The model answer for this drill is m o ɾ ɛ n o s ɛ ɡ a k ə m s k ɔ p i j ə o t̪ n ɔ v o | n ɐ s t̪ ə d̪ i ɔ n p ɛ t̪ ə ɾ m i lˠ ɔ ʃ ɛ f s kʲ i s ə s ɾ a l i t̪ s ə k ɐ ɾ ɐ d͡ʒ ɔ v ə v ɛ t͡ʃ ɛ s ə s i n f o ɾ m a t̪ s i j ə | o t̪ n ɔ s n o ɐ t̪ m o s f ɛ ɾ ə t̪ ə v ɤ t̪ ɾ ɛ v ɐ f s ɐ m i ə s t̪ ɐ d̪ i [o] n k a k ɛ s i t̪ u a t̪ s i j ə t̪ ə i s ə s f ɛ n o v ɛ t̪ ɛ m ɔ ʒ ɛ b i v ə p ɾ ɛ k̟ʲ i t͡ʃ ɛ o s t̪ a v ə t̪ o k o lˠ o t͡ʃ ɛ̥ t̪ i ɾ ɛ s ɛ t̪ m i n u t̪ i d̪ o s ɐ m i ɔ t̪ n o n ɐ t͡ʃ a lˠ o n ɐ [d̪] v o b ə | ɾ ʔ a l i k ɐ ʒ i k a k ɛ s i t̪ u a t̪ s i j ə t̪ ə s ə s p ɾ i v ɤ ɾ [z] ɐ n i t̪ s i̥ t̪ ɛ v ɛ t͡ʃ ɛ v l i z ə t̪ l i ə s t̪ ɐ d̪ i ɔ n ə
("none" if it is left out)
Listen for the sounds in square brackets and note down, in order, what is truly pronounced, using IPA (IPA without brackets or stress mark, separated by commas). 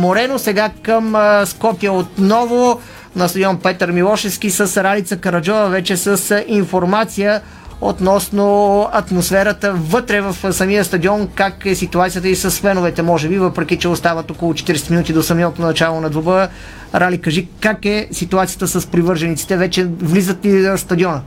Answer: ɔ, d̪, ʒ